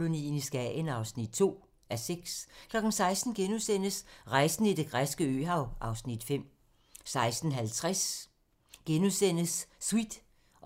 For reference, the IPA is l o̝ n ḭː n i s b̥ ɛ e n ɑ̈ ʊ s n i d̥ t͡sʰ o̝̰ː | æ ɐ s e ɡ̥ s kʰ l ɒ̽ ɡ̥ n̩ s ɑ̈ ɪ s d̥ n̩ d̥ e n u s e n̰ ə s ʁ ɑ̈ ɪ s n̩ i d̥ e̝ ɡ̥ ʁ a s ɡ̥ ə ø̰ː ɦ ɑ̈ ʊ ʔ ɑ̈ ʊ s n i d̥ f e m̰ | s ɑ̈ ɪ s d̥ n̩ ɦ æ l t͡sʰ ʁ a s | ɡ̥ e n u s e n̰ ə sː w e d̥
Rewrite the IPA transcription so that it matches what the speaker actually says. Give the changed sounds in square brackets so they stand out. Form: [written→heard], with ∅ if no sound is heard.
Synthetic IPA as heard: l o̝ n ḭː n i s [b̥→ɡ̥] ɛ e n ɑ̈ ʊ s n i d̥ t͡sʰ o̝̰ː | æ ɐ s e ɡ̥ s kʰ l ɒ̽ ɡ̥ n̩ s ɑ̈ ɪ s d̥ n̩ [d̥→ɡ̥] e n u s e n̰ ə s ʁ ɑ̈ ɪ s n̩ i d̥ e̝ ɡ̥ ʁ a s ɡ̥ ə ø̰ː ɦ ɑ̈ ʊ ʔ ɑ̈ ʊ s n i d̥ f e m̰ | s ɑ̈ ɪ s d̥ n̩ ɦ æ l t͡sʰ ʁ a s | ɡ̥ e n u s e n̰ ə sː w [e→i] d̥